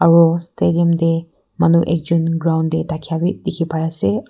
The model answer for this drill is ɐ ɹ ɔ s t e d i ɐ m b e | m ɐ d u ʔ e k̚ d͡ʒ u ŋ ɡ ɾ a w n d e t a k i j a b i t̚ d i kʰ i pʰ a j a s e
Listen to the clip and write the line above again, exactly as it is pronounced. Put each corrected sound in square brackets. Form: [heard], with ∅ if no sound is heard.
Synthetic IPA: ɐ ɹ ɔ s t e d i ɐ m [d] e | m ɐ [n] u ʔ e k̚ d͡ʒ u [n] ɡ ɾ a w n d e t a [kʰ] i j a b i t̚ d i kʰ i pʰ a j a s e